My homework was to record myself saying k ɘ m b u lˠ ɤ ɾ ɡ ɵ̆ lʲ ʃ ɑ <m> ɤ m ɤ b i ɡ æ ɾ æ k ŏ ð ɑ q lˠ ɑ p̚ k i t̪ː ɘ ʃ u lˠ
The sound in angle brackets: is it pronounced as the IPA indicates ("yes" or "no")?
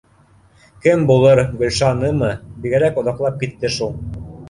no